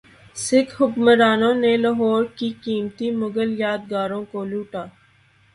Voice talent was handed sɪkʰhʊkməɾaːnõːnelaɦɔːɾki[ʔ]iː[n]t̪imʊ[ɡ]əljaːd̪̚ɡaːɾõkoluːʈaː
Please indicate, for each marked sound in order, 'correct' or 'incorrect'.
incorrect, incorrect, correct

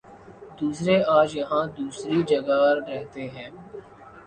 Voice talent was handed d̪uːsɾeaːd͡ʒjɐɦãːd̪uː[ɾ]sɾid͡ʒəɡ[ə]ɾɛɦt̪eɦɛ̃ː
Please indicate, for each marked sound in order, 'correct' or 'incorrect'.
incorrect, incorrect

